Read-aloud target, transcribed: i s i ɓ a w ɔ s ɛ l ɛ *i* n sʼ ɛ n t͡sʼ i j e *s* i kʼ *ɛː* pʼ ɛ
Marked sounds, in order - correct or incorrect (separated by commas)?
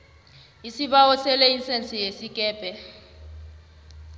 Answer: correct, correct, correct